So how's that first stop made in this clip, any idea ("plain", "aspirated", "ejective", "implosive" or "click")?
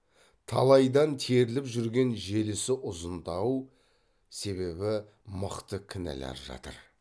aspirated